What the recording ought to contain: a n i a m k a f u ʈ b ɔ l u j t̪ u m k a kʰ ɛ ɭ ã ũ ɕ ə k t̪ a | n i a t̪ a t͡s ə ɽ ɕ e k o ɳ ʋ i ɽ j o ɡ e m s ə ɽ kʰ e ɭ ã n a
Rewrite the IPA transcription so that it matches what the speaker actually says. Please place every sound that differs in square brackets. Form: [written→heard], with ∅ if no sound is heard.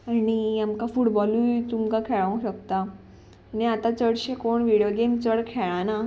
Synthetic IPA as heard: a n i a m k a f u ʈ b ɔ l u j t̪ u m k a kʰ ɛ ɭ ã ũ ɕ ə k t̪ a | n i a t̪ a t͡s ə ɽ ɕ e k o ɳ ʋ i ɽ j o ɡ e m [s→t͡s] ə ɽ kʰ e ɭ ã n a

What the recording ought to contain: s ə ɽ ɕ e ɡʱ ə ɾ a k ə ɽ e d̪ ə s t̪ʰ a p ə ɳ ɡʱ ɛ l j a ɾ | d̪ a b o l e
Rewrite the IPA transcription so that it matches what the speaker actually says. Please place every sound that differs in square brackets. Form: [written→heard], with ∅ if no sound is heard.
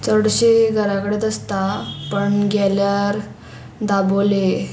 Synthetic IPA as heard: [s→t͡s] ə ɽ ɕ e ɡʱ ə ɾ a k ə ɽ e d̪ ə s [t̪ʰ→t̪] a p ə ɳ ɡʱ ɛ l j a ɾ | d̪ a b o l e

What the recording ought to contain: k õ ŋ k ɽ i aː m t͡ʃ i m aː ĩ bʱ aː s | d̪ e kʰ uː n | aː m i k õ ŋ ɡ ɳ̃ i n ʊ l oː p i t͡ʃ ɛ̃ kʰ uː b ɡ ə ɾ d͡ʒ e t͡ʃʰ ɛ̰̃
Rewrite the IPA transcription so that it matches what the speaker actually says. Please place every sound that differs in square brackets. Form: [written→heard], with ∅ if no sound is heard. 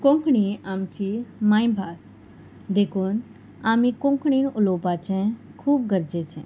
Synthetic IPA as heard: k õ ŋ k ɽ i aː m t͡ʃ i m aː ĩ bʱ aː s | d̪ e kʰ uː n | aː m i k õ ŋ [ɡ→k] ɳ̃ i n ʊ l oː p [i→a] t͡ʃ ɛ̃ kʰ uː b ɡ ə ɾ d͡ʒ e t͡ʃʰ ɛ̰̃

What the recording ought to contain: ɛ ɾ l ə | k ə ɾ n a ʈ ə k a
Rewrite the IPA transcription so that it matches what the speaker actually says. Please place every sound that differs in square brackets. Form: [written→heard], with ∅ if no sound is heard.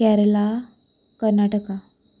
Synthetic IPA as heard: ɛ ɾ l [ə→a] | k ə ɾ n a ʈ ə k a

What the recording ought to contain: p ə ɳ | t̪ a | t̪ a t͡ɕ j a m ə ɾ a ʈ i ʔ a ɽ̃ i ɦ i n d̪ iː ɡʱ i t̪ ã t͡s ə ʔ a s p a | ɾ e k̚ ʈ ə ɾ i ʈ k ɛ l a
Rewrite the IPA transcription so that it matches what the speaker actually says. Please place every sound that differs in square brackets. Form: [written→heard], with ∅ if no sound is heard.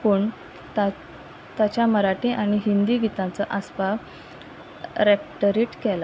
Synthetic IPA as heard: p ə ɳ | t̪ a | t̪ a t͡ɕ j a m ə ɾ a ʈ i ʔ a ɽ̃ i ɦ i n d̪ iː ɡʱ i t̪ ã t͡s ə ʔ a s p a | ɾ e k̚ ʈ ə ɾ i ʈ k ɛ l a

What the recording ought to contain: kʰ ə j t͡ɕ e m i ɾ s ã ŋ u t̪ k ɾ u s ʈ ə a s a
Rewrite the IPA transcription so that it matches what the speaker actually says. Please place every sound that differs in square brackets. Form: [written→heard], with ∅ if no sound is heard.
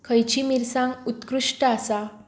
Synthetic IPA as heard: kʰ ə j t͡ɕ [e→i] m i ɾ s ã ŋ u t̪ k ɾ u [s→ʂ] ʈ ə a s a

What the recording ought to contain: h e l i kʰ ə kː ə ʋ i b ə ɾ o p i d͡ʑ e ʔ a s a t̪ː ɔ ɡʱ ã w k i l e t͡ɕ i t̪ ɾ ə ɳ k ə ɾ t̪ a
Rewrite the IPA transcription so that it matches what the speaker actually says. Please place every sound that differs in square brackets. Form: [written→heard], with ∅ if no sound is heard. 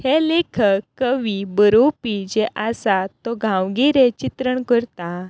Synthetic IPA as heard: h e l [i→e] kʰ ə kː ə ʋ i b ə ɾ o p i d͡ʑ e ʔ a s a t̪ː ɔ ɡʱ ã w [k→ɡ] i [l→ɾ] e t͡ɕ i t̪ ɾ ə ɳ k ə ɾ t̪ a

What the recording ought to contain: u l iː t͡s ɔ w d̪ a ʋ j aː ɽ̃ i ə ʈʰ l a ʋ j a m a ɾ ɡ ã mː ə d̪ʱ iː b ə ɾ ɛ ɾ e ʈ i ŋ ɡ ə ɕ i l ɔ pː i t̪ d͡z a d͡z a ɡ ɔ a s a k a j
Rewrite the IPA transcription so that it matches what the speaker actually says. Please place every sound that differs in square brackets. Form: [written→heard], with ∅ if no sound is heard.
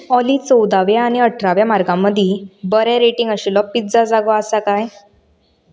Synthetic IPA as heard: [u→ɔ] l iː t͡s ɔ w d̪ a ʋ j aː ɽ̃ i ə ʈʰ [l→ɾ] a ʋ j a m a ɾ ɡ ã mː ə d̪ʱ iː b ə ɾ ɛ ɾ e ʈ i ŋ ɡ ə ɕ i l ɔ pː i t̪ d͡z a d͡z a ɡ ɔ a s a k a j

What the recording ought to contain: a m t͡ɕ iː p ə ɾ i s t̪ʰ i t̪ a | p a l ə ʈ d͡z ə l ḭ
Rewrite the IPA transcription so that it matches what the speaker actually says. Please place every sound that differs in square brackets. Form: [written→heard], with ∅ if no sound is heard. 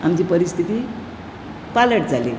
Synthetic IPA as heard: a m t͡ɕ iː p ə ɾ i s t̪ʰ i t̪ [a→i] | p a l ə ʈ d͡z [ə→a] l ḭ

